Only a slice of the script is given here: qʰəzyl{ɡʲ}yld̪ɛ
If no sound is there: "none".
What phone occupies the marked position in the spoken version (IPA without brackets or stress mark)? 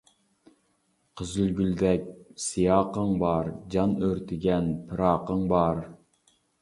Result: ɡʲ